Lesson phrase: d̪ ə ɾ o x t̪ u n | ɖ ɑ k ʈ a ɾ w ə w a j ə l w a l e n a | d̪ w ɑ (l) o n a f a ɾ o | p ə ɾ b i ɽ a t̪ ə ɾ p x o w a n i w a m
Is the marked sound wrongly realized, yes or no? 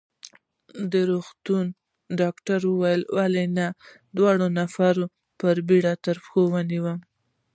yes